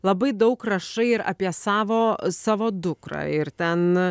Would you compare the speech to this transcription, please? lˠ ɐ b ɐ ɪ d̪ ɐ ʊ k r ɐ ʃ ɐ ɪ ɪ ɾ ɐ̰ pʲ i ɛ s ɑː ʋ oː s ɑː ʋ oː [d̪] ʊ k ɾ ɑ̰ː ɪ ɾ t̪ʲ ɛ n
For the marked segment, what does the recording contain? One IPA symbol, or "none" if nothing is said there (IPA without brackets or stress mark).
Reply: d̪